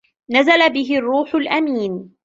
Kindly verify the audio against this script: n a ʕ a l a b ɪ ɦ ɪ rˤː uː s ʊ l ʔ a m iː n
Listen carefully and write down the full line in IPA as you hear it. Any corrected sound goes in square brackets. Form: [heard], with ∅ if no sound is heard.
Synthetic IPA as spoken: n a [z] a l a b ɪ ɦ ɪ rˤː uː [ħ] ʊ l ʔ a m iː n